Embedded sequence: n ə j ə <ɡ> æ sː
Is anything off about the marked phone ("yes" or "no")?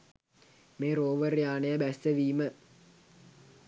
yes